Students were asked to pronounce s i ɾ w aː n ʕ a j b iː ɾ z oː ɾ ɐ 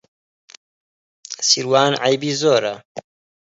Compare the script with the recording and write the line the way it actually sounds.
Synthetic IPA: s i ɾ w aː n ʕ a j b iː z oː ɾ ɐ